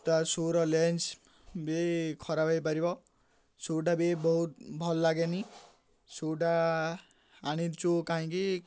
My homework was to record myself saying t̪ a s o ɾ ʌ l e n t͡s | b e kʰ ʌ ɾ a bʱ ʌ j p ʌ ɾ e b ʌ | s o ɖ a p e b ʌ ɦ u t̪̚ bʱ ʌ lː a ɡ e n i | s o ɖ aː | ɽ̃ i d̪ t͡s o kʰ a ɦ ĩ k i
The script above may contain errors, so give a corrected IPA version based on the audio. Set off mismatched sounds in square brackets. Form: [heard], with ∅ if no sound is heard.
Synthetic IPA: t̪ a s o ɾ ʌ l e n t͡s | b e kʰ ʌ ɾ a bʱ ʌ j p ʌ ɾ [i] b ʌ | s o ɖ a [b] e b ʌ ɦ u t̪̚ bʱ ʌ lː a ɡ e n i | s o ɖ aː | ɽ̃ i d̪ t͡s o [k] a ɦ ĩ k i

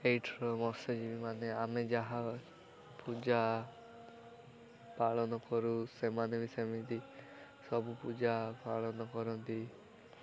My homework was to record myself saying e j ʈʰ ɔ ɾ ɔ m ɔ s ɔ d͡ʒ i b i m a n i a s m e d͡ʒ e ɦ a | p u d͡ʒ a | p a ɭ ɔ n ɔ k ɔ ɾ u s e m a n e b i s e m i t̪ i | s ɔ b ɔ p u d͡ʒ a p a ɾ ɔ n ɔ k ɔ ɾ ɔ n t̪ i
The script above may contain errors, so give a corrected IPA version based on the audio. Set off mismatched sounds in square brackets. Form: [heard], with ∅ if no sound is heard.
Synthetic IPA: e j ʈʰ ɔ ɾ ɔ m ɔ s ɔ d͡ʒ i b i m a n [e] a [∅] m e d͡ʒ [a] ɦ a | p u d͡ʒ a | p a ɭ ɔ n ɔ k ɔ ɾ u s e m a n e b i s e m i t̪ i | s ɔ b [u] p u d͡ʒ a p a [ɭ] ɔ n ɔ k ɔ ɾ ɔ n t̪ i

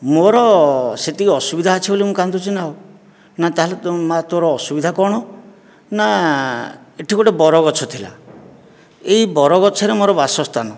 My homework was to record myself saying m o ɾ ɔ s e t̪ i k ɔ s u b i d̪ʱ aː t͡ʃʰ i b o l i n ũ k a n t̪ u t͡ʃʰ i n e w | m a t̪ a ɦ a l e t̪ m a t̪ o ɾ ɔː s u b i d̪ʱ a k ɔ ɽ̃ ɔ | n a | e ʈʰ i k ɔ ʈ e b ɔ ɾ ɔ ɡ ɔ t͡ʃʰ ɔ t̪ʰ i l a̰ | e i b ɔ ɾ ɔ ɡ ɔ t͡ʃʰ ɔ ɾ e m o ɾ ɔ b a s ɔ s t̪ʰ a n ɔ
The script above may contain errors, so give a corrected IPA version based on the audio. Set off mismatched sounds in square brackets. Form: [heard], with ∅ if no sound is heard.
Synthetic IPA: m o ɾ ɔ s e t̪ i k ɔ s u b i d̪ʱ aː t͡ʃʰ i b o l i [m] ũ k a n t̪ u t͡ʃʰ i n [a] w | [n] a t̪ a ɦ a l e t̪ m a t̪ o ɾ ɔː s u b i d̪ʱ a k ɔ ɽ̃ ɔ | n a | e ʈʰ i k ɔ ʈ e b ɔ ɾ ɔ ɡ ɔ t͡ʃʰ ɔ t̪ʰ i l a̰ | e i b ɔ ɾ ɔ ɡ ɔ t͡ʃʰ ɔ ɾ e m o ɾ ɔ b a s ɔ s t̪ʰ a n ɔ

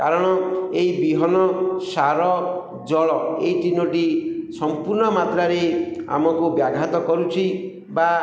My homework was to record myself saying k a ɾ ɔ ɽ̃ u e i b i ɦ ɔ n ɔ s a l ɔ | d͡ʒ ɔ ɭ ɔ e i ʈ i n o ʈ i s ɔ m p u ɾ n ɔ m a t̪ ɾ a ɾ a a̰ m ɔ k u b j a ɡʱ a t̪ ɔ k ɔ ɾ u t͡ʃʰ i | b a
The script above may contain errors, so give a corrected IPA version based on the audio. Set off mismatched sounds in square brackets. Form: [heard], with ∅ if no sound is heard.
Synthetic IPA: k a ɾ ɔ ɽ̃ [ɔ] e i b i ɦ ɔ n ɔ s a [ɾ] ɔ | d͡ʒ ɔ ɭ ɔ e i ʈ i n o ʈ i s ɔ m p u ɾ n ɔ m a t̪ ɾ a ɾ [e] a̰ m ɔ k u b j a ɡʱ a t̪ ɔ k ɔ ɾ u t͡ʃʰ i | b a

